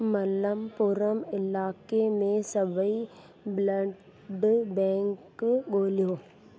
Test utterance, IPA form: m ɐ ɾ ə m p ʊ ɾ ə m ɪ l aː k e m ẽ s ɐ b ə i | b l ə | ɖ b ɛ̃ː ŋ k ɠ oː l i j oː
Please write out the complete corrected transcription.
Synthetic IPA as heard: m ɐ l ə m p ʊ ɾ ə m ɪ l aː k e m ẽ s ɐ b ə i | b l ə | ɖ b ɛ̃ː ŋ k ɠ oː l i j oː